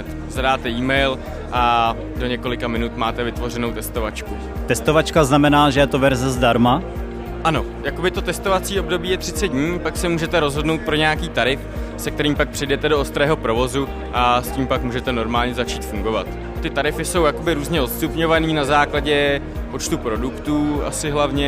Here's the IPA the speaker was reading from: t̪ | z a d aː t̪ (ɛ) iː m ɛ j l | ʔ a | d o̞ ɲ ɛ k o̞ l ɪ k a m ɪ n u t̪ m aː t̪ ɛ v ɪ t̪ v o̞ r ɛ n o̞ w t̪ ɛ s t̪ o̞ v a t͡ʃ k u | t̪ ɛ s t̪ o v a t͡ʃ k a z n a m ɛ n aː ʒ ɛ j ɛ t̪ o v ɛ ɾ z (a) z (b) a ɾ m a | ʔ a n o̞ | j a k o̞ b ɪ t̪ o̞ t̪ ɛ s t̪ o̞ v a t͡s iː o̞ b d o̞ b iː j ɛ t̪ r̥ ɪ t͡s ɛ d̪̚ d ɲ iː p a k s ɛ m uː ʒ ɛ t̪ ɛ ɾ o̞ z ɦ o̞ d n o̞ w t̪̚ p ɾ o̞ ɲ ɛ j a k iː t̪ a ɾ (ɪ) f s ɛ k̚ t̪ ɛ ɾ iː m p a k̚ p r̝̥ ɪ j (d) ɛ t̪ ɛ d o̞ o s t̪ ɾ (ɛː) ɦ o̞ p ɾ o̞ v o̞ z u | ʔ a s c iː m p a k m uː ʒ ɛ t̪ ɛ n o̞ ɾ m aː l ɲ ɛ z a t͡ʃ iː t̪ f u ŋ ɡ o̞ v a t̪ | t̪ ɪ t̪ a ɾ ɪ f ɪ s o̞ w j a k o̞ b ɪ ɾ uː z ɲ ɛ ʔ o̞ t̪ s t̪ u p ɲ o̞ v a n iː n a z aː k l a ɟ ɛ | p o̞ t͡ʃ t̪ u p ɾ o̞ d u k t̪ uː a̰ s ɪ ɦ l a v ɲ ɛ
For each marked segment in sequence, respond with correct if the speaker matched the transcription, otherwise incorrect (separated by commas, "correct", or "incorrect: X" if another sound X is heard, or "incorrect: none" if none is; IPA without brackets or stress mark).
correct, incorrect: ɛ, incorrect: d, correct, correct, correct